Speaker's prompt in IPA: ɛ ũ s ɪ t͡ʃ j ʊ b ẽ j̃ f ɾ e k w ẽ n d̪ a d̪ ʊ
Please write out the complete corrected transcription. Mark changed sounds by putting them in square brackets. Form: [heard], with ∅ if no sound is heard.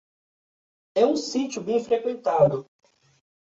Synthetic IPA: ɛ ũ s [i] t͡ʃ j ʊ b ẽ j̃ f ɾ e k w ẽ n [t̪] a d̪ ʊ

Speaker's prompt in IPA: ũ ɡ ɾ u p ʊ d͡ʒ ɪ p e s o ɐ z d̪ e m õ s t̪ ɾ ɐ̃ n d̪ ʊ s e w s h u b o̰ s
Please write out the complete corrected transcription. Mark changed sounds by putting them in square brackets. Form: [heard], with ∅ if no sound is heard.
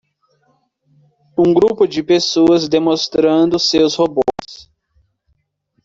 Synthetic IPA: ũ ɡ ɾ u p ʊ d͡ʒ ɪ p e s o ɐ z d̪ e m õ s t̪ ɾ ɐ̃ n d̪ ʊ s e w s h [o] b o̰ s

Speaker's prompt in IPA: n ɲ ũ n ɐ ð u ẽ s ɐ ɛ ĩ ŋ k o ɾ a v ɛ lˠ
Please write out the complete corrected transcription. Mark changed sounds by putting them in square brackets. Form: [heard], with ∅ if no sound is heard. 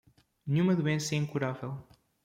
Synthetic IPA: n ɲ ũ [m] ɐ ð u ẽ s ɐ ɛ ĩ ŋ k [u] ɾ a v ɛ lˠ

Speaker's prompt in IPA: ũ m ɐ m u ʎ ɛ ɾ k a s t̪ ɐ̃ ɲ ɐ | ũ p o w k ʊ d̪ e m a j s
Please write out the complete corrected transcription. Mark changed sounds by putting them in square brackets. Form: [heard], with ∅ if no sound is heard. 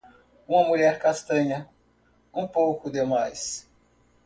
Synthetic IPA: ũ m ɐ m u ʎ ɛ ɾ k a s t̪ ɐ̃ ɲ ɐ | ũ p o w k ʊ d̪ e m a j s

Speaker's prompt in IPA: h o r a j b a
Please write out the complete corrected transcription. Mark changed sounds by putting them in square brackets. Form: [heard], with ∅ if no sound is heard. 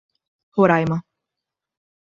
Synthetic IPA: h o [ɾ] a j [m] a

